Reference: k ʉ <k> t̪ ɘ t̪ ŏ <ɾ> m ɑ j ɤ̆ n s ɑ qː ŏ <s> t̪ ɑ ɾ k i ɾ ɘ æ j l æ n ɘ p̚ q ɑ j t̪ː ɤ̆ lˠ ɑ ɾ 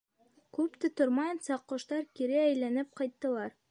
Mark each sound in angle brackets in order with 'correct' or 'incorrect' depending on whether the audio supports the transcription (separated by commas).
incorrect, correct, incorrect